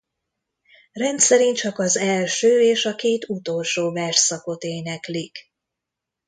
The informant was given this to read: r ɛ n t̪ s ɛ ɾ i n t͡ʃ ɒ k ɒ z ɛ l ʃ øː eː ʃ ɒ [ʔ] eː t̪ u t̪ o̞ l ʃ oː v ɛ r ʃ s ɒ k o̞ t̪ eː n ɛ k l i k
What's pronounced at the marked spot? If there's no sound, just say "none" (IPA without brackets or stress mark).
k